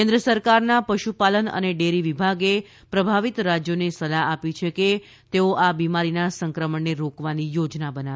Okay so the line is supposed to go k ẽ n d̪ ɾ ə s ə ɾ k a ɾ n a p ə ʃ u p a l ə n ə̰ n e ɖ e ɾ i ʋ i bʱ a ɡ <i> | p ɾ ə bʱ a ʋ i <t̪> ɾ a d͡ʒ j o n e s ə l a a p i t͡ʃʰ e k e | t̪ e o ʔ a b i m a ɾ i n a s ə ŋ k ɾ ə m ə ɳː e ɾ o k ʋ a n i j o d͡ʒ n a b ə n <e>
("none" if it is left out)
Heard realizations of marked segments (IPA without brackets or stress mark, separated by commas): e, t̪, a